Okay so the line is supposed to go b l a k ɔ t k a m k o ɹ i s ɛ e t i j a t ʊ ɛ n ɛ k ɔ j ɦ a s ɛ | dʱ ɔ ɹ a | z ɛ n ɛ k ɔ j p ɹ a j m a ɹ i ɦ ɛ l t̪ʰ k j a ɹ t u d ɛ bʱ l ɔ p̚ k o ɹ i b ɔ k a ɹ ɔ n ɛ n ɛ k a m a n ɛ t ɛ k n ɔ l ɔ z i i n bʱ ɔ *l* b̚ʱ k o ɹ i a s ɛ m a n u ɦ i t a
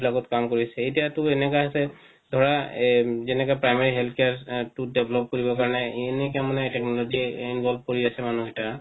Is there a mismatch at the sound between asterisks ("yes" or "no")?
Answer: no